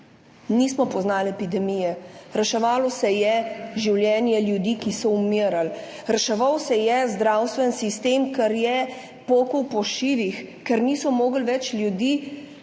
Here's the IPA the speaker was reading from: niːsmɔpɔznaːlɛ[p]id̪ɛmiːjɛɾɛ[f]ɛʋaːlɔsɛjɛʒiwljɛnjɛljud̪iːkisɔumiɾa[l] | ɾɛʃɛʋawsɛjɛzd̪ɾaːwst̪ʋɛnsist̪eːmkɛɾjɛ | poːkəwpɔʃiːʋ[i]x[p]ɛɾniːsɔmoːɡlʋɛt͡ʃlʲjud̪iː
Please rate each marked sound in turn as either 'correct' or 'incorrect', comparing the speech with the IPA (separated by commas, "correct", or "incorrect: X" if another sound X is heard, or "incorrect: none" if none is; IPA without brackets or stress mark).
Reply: correct, incorrect: ʃ, correct, correct, incorrect: k